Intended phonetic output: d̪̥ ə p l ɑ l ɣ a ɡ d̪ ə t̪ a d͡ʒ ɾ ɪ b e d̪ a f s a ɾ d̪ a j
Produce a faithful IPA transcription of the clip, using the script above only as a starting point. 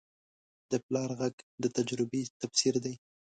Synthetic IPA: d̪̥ ə p l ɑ ɾ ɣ a ɡ d̪ ə t̪ a d͡ʒ ɾ ɪ b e t̪ a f s i ɾ d̪ a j